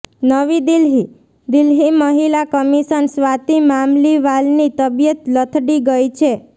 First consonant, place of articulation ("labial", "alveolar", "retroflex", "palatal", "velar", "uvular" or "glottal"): alveolar